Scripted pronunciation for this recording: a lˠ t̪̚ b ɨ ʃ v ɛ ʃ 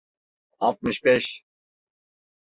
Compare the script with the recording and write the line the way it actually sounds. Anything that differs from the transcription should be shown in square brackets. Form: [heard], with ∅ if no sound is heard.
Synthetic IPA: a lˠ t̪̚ [m] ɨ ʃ [b] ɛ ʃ